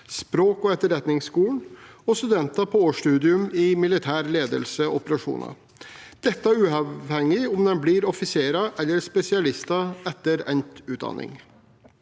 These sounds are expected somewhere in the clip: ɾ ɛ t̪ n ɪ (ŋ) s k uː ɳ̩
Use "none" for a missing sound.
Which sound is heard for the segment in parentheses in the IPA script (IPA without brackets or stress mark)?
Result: ŋ